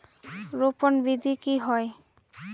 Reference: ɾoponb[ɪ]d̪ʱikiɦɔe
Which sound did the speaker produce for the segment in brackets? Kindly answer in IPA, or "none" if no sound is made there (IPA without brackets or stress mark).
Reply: i